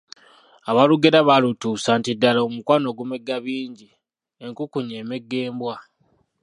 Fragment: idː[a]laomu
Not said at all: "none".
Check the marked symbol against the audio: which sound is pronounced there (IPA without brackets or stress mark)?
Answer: a